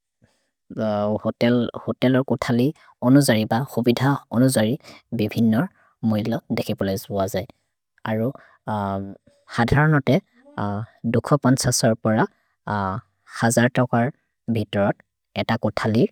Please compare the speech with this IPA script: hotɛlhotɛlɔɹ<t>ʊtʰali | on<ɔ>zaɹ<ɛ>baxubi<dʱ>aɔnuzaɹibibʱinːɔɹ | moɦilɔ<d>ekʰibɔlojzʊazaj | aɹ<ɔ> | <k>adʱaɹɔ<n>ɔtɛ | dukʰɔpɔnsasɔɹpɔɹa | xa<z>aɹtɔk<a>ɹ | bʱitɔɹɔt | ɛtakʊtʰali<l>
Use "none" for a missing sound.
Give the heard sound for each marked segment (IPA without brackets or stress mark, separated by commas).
k, u, i, dʱ, d, u, x, n, z, a, ɹ